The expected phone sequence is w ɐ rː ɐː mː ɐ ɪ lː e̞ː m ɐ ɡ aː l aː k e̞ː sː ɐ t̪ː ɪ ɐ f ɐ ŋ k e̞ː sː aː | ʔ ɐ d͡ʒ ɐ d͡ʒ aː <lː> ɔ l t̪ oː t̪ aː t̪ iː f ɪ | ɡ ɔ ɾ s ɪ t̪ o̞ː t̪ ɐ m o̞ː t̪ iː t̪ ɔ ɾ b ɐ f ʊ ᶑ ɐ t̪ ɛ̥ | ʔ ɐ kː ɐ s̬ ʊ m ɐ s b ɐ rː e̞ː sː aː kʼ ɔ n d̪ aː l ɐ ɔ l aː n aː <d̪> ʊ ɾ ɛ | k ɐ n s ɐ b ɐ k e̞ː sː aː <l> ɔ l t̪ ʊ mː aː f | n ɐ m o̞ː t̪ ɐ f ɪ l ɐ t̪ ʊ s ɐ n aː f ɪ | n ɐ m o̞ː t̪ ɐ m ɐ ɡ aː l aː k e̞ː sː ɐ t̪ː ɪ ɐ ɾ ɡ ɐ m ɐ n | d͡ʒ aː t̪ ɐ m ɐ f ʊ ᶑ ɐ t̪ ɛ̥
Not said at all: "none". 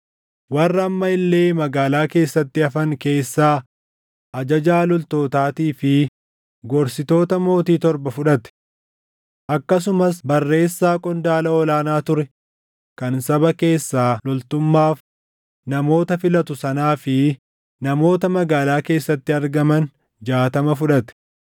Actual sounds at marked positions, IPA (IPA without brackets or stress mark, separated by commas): l, t̪, l